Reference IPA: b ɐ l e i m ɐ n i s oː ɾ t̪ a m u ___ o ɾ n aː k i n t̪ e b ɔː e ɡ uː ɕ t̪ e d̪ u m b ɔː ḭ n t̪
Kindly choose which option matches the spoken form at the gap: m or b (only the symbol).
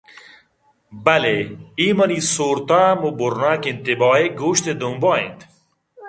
b